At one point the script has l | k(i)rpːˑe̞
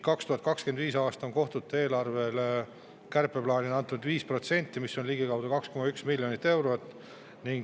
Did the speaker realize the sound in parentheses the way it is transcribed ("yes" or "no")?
no